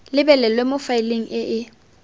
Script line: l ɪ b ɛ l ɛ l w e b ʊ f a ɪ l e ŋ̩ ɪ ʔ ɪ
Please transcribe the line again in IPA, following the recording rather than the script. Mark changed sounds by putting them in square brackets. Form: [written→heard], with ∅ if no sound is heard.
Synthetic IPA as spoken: l ɪ b ɛ l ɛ l w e [b→m] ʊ f a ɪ l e ŋ̩ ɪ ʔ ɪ